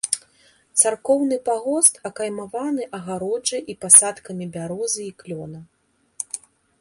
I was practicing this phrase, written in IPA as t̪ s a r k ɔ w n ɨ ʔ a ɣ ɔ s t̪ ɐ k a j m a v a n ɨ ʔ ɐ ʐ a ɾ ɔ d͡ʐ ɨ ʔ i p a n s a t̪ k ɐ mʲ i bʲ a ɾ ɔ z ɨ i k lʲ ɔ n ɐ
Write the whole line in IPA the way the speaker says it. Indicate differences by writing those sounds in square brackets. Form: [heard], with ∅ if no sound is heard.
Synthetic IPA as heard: t̪ s a r k ɔ w n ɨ [p] a ɣ ɔ s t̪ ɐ k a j m a v a n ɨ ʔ ɐ [ɣ] a ɾ ɔ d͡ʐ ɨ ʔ i p a [∅] s a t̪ k ɐ mʲ i bʲ a ɾ ɔ z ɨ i k lʲ ɔ n ɐ